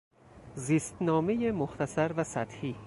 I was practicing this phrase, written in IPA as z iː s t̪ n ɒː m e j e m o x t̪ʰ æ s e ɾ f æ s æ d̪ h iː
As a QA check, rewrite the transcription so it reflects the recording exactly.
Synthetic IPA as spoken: z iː s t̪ n ɒː m e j e m o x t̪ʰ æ s æ ɾ v æ s æ t̪ h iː